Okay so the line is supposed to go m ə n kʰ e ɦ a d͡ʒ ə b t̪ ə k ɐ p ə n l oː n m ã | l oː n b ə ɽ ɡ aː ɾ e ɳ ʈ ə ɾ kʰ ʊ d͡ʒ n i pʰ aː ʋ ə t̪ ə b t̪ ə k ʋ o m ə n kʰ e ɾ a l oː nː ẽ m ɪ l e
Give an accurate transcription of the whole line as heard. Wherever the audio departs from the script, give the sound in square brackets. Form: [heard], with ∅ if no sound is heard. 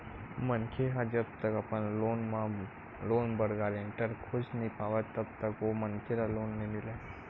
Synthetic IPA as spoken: m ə n kʰ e ɦ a d͡ʒ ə b t̪ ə k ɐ p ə n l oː n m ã | l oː n b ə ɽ ɡ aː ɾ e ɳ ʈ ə ɾ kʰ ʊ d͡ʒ n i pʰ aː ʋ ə t̪ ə b t̪ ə k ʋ o m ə n kʰ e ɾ a l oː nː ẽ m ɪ l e

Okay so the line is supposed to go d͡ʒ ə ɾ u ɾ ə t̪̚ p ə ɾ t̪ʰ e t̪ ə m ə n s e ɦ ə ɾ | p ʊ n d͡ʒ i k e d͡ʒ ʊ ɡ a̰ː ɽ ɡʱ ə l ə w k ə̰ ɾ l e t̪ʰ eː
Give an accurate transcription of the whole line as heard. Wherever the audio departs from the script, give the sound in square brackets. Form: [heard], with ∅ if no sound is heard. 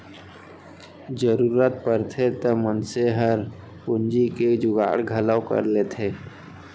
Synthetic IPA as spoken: d͡ʒ ə ɾ u ɾ ə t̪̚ p ə ɾ t̪ʰ e t̪ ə m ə n s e ɦ ə ɾ | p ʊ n d͡ʒ i k e d͡ʒ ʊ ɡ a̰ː ɽ ɡʱ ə l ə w k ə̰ ɾ l e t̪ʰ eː

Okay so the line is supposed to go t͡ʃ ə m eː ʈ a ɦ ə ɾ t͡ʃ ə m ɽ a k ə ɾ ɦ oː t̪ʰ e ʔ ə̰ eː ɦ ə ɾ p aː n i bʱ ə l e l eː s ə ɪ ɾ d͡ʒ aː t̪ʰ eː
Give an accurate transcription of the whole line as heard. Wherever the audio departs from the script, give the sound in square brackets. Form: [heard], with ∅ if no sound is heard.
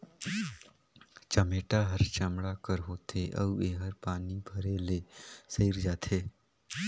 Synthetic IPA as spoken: t͡ʃ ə m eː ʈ a ɦ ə ɾ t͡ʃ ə m ɽ a k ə ɾ ɦ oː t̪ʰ e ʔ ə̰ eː ɦ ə ɾ p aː n i bʱ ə [ɾ] e l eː s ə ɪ ɾ d͡ʒ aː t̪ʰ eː

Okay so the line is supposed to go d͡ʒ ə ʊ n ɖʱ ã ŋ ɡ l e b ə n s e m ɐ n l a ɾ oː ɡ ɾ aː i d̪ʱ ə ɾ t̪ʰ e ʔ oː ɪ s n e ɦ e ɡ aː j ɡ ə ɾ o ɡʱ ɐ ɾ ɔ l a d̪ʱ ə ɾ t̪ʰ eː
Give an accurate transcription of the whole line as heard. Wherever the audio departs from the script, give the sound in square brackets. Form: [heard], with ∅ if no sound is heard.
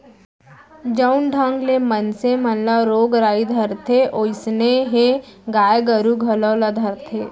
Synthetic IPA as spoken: d͡ʒ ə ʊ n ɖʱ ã ŋ ɡ l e [m] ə n s e m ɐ n l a ɾ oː ɡ ɾ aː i d̪ʱ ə ɾ t̪ʰ e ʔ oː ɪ s n e ɦ e ɡ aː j ɡ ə ɾ [u] ɡʱ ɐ [l] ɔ l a d̪ʱ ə ɾ t̪ʰ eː

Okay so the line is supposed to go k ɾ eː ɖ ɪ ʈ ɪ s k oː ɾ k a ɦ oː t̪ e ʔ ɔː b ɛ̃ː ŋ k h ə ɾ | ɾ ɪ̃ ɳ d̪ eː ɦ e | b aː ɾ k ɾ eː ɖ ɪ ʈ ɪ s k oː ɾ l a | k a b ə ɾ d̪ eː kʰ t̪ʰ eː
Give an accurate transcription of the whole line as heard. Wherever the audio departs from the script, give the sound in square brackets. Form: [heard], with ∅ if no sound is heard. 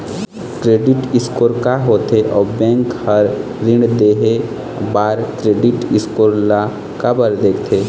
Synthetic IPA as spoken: k ɾ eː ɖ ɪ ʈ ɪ s k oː ɾ k a ɦ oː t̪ e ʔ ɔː b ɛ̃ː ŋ k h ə ɾ | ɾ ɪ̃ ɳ d̪ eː ɦ e | b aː ɾ k ɾ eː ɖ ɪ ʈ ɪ s k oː ɾ l a | k a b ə ɾ d̪ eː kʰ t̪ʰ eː

